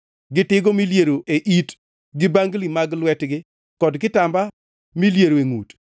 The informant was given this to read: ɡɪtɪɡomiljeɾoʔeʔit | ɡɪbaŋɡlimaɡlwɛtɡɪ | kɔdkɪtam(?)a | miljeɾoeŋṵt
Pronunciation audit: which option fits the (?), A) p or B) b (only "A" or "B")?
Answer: B